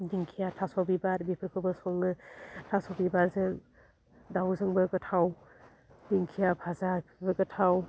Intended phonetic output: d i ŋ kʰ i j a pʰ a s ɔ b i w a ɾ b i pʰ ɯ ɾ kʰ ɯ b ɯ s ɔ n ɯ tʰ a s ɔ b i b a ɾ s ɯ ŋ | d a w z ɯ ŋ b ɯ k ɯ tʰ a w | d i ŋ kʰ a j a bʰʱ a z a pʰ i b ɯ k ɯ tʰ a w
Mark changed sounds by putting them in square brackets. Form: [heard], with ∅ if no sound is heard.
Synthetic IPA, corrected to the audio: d i ŋ kʰ i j a [tʰ] a s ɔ b i [b] a ɾ b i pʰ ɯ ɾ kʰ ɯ b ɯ s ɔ [ŋ] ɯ tʰ a s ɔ b i b a ɾ [z] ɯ ŋ | d a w z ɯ ŋ b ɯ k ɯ tʰ a w | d i ŋ kʰ [i] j a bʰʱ a z a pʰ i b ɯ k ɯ tʰ a w